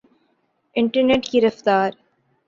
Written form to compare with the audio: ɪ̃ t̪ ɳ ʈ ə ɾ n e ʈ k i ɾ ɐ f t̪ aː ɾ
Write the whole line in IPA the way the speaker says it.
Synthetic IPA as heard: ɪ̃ ɳ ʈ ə ɾ n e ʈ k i ɾ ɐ f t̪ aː ɾ